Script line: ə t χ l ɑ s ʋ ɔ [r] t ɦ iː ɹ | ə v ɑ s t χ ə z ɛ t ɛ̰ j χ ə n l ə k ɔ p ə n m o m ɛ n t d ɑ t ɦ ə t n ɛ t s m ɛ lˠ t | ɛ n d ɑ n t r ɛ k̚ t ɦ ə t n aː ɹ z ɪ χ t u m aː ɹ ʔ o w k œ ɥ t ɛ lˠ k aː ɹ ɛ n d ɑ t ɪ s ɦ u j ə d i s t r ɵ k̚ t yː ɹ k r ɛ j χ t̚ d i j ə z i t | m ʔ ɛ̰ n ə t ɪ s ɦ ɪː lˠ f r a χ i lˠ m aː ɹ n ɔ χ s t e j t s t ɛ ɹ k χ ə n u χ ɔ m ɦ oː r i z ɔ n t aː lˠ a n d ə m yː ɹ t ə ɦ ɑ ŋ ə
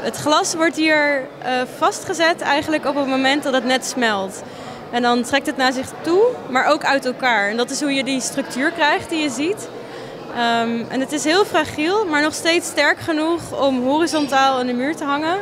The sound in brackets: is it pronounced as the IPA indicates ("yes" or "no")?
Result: no